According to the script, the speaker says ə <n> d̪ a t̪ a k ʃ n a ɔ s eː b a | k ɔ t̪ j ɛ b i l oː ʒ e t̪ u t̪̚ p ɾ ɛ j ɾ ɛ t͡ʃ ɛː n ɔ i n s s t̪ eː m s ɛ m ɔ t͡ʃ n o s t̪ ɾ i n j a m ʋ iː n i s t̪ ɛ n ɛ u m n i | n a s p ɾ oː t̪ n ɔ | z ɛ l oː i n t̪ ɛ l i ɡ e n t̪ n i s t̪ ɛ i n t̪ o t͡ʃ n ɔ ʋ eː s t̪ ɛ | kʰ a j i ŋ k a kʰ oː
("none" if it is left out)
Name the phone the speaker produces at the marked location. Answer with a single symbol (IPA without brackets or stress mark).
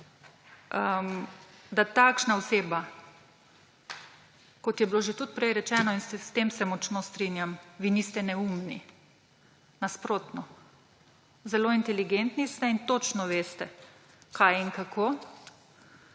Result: m